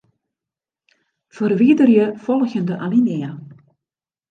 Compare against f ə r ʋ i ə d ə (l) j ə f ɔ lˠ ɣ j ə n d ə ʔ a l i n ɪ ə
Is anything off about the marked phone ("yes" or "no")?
yes